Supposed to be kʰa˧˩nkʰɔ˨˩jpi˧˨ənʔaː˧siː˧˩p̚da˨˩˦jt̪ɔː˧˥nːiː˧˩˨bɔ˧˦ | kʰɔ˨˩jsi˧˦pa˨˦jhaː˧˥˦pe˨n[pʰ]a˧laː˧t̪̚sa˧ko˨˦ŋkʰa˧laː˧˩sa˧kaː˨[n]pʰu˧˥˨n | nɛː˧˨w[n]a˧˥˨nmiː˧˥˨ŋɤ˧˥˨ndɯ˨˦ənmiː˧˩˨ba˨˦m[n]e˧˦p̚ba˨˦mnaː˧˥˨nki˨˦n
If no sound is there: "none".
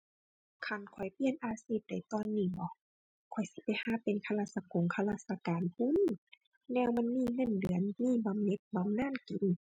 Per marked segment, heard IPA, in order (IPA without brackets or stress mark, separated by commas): kʰ, n, m, n